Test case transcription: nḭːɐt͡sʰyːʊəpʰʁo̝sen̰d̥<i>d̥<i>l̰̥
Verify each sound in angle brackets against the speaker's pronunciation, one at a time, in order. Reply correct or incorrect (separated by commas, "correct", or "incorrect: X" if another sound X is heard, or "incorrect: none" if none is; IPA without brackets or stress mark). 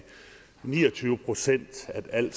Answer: incorrect: æ, incorrect: æ